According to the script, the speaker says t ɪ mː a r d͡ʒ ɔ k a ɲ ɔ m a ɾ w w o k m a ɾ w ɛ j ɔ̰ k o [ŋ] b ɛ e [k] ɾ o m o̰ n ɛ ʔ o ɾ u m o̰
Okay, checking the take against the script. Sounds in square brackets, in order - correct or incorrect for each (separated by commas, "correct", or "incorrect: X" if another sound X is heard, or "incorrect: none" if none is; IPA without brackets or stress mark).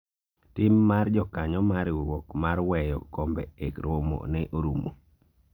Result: incorrect: m, correct